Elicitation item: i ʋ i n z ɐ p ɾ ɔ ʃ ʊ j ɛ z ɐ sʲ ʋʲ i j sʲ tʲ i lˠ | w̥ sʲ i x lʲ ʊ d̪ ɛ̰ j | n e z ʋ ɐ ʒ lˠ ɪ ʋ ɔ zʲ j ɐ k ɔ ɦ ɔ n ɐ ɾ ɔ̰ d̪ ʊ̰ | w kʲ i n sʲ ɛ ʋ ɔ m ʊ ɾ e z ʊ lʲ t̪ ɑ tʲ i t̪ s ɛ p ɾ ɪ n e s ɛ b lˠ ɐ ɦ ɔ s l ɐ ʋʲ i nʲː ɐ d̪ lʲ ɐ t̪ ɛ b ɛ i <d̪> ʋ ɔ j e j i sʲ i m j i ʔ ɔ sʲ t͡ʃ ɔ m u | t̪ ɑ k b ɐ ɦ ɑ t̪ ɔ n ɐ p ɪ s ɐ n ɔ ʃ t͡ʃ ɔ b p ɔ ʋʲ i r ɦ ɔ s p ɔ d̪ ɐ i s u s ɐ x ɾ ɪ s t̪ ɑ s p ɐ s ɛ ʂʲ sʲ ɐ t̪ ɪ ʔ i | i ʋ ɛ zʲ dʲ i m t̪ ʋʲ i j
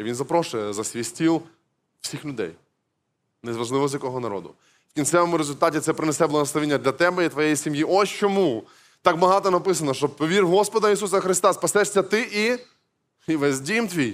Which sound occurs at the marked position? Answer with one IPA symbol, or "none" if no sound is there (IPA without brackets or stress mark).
t̪